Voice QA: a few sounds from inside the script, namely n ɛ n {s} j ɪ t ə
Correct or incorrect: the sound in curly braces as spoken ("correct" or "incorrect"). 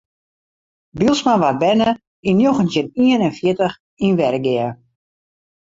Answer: incorrect